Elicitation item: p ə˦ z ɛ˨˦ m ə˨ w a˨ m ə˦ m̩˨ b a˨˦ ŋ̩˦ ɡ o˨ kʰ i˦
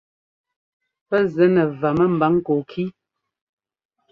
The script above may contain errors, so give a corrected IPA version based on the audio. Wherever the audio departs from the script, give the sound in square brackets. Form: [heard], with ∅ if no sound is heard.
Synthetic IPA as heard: p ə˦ z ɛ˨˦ [n] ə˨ [v] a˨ m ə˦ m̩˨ b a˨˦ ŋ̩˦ [k] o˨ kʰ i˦